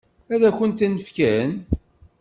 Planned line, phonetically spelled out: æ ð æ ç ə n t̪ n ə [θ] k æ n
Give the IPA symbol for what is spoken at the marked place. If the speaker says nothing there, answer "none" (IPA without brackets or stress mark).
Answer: f